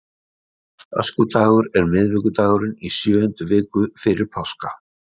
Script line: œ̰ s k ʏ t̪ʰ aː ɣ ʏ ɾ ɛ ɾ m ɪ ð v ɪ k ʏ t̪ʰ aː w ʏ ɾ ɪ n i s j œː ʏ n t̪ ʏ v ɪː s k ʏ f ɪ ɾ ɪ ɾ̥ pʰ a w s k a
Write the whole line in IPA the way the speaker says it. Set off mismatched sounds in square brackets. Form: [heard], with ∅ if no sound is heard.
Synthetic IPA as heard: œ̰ s k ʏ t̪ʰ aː ɣ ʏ ɾ ɛ ɾ m ɪ ð v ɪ k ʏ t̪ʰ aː [ɣ] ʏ ɾ ɪ n i s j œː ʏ n t̪ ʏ v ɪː [∅] k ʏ f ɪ ɾ ɪ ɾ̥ pʰ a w s k a